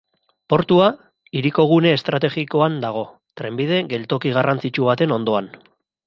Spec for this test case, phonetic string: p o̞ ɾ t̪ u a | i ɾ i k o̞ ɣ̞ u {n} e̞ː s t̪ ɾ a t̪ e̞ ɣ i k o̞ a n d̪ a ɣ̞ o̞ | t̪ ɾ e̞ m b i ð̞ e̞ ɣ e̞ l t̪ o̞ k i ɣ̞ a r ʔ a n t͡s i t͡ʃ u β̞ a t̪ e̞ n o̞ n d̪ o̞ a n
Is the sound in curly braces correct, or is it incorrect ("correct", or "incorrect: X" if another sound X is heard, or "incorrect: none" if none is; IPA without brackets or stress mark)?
correct